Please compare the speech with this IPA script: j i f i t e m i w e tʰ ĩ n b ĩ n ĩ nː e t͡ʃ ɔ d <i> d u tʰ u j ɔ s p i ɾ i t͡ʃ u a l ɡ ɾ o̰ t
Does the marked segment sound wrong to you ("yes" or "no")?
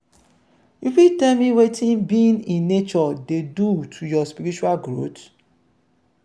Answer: yes